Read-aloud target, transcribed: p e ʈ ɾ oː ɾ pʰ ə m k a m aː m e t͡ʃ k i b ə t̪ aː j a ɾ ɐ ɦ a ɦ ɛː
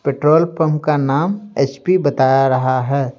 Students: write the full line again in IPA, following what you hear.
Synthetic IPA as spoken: p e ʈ ɾ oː l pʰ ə m k a n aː m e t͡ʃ p i b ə t̪ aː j a ɾ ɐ ɦ a ɦ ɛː